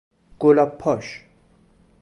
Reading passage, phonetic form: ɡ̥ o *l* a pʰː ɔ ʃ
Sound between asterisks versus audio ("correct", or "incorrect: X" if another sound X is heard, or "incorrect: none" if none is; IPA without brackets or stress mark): correct